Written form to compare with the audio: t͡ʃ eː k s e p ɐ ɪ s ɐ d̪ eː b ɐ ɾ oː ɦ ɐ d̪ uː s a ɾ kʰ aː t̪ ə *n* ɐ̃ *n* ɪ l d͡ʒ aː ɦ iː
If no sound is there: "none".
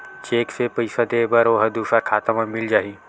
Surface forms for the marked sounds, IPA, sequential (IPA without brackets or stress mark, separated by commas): m, m